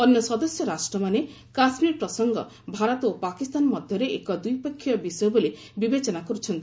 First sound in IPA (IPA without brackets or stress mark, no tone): ɔ